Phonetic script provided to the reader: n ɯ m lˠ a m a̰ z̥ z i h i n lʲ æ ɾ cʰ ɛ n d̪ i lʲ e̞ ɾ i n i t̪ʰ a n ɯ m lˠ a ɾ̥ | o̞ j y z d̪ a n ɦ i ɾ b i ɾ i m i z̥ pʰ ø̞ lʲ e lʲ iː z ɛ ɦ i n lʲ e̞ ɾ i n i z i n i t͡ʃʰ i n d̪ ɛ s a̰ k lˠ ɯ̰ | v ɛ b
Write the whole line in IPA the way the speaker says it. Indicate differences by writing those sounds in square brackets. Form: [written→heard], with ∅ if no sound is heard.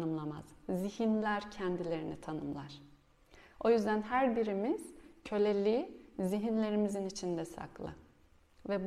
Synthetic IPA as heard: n ɯ m lˠ a m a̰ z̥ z i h i n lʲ æ ɾ cʰ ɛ n d̪ i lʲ e̞ ɾ i n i t̪ʰ a n ɯ m lˠ a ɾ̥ | o̞ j y z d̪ [a→æ] n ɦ [i→æ] ɾ b i ɾ i m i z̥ [pʰ→cʰ] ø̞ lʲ e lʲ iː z [ɛ→i] ɦ i n lʲ e̞ ɾ i [n→m] i z i n i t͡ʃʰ i n d̪ ɛ s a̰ k lˠ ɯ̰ | v ɛ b